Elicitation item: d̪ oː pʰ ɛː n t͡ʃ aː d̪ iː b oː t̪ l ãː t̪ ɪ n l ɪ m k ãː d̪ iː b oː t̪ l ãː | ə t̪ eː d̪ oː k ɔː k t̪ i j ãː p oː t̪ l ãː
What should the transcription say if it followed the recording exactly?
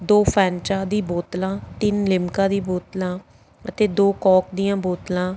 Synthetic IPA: d̪ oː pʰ ɛː n t͡ʃ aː d̪ iː b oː t̪ l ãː t̪ ɪ n l ɪ m k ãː d̪ iː b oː t̪ l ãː | ə t̪ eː d̪ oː k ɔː k d̪ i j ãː b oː t̪ l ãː